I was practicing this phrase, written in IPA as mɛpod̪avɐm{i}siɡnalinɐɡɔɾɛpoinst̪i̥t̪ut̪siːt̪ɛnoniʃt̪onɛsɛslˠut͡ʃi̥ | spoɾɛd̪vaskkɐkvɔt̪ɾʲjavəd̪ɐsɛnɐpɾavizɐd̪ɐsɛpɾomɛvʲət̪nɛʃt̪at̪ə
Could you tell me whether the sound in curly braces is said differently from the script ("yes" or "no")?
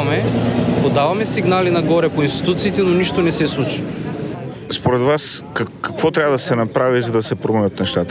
yes